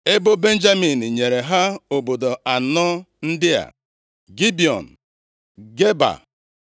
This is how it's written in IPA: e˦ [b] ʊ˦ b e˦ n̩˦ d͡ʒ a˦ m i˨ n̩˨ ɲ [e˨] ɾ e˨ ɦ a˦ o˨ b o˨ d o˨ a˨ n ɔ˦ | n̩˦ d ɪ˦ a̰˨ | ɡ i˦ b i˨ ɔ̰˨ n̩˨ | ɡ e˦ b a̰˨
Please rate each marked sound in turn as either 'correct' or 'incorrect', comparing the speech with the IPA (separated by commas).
correct, correct